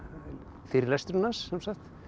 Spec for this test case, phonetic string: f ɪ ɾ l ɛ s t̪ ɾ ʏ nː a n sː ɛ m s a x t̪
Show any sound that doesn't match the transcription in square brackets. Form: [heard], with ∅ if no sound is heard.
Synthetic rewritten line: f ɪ ɾ l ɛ s t̪ ɾ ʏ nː a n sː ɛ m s a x t̪